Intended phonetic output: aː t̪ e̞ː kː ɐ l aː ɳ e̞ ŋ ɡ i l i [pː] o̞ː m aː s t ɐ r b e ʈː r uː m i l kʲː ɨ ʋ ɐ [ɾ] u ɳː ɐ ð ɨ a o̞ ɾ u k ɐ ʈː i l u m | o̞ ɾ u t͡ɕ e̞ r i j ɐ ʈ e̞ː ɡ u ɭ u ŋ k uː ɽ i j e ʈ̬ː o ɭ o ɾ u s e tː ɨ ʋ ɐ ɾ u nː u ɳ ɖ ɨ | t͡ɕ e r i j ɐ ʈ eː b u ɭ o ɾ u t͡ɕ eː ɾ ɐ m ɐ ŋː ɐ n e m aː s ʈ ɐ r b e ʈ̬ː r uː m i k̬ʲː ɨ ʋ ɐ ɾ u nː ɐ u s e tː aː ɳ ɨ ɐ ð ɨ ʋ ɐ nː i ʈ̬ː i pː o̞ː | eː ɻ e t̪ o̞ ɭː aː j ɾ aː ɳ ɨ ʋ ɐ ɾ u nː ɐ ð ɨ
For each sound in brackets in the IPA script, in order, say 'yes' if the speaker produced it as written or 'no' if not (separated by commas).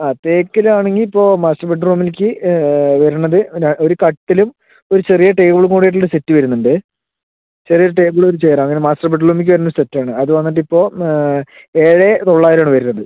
yes, yes